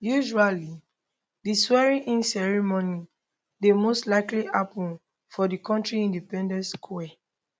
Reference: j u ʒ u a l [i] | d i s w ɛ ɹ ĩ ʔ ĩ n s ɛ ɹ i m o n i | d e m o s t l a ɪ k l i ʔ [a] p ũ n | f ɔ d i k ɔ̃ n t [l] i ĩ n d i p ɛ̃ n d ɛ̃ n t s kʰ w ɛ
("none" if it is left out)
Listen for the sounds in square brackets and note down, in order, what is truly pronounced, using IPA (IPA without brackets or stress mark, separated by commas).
i, a, ɹ